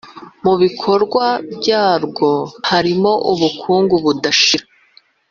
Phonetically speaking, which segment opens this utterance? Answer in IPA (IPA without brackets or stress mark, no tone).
m